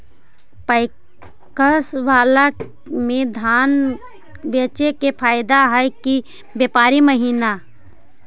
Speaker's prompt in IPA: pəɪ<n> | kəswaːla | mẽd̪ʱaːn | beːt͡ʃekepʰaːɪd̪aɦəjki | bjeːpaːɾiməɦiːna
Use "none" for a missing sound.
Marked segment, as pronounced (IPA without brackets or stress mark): none